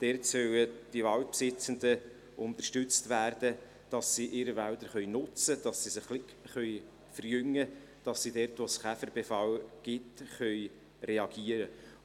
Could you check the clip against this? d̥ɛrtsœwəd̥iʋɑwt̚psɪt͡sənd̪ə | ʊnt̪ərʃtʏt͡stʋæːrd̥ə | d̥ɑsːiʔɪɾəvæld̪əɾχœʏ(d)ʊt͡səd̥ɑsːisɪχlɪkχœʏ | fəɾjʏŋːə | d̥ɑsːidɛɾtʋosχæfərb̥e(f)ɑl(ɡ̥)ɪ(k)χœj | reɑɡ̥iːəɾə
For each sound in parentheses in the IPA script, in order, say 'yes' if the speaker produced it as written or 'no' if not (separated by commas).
no, yes, yes, no